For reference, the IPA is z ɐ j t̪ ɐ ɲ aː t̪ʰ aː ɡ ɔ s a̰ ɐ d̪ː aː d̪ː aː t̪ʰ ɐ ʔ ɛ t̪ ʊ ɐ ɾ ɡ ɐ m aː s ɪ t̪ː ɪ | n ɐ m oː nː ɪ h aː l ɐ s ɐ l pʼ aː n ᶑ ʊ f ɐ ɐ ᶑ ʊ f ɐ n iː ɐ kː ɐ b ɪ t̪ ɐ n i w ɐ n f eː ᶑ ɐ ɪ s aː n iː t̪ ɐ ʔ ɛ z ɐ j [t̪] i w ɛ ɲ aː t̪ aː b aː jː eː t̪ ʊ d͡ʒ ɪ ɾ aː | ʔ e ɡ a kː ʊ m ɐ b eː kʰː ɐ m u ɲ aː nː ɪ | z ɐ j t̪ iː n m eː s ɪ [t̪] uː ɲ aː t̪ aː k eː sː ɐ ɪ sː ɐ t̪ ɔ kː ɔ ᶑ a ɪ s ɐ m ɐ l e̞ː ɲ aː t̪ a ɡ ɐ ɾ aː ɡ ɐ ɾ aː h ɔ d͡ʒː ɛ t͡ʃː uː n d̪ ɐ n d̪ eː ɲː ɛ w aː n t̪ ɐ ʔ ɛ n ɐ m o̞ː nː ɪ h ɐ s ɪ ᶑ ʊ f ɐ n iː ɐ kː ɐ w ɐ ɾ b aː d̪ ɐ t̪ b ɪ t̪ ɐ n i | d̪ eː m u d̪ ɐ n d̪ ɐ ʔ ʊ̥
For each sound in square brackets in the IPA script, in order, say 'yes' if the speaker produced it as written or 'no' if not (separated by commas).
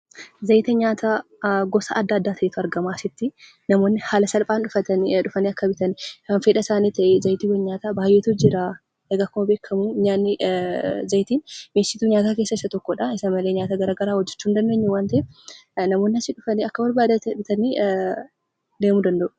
yes, yes